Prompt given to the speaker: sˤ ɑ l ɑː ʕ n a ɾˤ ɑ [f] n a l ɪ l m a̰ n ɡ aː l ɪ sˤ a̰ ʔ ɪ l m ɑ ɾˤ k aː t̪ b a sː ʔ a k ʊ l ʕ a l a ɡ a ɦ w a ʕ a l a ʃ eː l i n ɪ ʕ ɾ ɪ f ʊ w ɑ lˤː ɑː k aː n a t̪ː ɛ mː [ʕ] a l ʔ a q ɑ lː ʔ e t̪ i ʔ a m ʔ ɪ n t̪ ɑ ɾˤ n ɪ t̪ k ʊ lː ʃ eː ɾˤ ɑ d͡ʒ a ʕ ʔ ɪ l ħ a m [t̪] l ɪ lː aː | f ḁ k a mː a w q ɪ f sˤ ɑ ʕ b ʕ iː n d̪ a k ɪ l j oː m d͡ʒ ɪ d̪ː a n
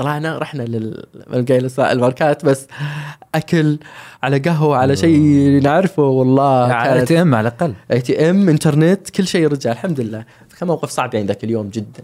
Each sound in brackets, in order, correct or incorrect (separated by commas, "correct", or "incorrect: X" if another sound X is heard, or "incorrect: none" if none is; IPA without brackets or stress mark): incorrect: ħ, correct, incorrect: d̪